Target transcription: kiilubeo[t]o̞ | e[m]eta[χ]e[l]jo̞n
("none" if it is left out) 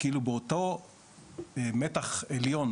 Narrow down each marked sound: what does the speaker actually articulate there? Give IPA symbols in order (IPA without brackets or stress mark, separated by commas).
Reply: t, m, χ, l